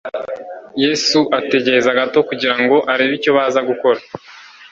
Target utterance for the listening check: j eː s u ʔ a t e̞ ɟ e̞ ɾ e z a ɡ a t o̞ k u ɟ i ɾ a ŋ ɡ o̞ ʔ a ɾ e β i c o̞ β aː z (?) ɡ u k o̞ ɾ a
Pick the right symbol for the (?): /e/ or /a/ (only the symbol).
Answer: a